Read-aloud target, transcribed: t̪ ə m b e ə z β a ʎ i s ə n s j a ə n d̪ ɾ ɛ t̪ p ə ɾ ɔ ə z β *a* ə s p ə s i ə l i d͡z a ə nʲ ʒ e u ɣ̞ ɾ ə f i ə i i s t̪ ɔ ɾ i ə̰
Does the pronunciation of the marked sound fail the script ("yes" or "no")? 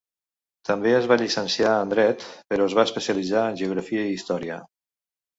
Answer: no